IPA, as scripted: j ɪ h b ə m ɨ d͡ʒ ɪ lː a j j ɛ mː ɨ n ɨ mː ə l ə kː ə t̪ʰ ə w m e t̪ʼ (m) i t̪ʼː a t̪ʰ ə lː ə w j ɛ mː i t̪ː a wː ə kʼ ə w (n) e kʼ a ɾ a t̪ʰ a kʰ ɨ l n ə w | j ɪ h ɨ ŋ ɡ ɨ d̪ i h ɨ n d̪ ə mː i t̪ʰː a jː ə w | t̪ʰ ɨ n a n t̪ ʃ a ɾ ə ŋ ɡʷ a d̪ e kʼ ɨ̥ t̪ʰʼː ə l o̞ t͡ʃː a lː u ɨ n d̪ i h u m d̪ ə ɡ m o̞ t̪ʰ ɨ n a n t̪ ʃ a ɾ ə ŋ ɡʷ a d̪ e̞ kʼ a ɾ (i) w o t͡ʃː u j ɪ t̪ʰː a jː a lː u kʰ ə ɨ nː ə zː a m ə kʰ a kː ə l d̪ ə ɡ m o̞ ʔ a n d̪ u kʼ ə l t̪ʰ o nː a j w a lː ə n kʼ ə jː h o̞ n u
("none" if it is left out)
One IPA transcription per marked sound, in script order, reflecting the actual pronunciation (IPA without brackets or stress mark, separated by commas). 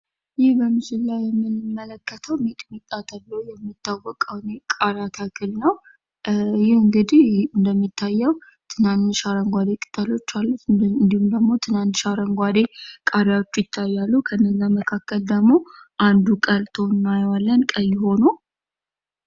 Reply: m, n, a